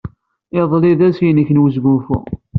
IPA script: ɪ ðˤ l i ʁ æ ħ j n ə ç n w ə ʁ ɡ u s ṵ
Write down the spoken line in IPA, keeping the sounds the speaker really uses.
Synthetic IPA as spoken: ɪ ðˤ l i ð æ s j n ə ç n w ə z ɡ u f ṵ